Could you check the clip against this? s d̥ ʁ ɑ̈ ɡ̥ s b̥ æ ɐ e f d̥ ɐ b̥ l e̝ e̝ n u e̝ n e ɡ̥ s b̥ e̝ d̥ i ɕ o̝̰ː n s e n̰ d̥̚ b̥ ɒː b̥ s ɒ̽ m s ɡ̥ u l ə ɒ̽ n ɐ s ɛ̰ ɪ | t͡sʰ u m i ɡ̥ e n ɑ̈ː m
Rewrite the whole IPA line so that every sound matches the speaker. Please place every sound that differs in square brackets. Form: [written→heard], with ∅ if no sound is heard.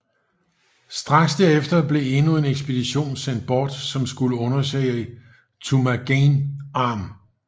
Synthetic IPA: s d̥ ʁ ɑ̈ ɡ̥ s [b̥→d̥] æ ɐ e f d̥ ɐ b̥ l e̝ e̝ n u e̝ n e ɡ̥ s b̥ e̝ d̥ i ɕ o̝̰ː n s e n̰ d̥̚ b̥ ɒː [b̥→d̥] s ɒ̽ m s ɡ̥ u l ə [ɒ̽→ɔ̽] n ɐ s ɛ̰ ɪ | t͡sʰ u m [i→æ] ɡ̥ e n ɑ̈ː m